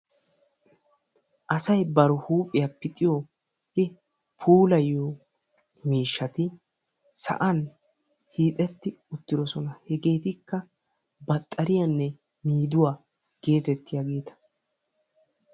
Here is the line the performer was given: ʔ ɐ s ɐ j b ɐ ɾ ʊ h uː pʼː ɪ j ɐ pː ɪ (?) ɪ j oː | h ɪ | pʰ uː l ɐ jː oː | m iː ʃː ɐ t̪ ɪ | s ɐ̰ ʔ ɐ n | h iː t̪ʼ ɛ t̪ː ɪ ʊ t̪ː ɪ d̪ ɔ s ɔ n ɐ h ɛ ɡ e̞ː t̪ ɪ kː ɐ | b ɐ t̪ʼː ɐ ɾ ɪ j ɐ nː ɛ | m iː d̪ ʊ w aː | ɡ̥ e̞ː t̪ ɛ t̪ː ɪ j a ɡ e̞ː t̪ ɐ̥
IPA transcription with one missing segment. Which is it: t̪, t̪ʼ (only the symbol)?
t̪ʼ